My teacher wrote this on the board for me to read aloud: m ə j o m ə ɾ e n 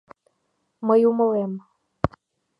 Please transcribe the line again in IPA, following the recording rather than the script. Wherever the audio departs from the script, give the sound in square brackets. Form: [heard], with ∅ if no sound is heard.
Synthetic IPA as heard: m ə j [u] m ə [l] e [m]